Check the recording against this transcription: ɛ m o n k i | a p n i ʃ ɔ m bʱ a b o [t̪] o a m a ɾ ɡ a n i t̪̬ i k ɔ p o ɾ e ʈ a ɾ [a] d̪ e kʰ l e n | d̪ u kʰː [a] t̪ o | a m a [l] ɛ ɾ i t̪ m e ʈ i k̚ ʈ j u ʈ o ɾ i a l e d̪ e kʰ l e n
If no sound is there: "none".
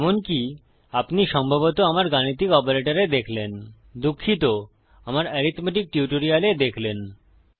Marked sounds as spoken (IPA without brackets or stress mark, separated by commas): t̪, e, i, ɾ